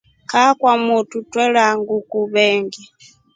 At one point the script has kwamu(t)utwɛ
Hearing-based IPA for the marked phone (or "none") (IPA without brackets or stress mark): t